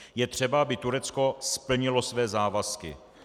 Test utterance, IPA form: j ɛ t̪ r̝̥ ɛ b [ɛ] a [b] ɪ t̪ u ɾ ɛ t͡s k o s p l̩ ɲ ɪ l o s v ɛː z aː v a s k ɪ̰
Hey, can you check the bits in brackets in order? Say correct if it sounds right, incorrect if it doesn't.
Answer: incorrect, correct

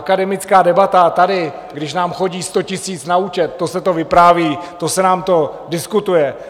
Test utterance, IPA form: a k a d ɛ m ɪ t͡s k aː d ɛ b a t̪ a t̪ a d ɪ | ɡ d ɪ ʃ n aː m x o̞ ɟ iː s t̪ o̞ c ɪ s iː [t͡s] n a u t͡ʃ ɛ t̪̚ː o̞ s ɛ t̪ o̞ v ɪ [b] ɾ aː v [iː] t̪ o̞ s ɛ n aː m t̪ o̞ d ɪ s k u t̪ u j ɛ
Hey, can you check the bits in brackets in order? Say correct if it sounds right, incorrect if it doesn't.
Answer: correct, incorrect, correct

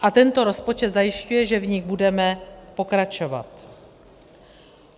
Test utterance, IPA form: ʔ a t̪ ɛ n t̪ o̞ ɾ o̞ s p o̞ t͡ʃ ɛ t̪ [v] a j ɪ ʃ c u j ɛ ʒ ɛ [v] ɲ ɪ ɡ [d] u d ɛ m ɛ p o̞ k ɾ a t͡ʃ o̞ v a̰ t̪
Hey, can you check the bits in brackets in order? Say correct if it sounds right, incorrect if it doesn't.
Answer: incorrect, correct, incorrect

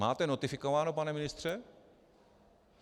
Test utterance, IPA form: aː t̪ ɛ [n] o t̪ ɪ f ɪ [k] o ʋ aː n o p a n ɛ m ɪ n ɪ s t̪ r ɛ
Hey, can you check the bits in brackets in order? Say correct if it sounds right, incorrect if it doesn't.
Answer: correct, correct

